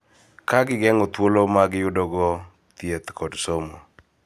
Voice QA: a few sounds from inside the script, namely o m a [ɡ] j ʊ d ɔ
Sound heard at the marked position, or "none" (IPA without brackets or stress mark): ɡ